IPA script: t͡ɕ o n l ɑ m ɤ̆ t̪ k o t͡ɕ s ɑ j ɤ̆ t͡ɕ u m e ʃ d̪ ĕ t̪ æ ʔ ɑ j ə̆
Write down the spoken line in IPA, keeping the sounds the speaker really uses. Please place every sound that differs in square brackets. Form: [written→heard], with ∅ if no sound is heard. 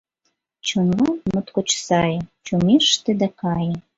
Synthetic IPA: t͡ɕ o n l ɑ m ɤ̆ t̪ k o t͡ɕ s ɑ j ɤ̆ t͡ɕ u m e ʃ [d̪→t̪] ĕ [t̪→d̪] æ [ʔ→k] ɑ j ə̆